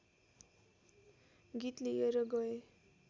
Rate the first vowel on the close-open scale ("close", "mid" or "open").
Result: close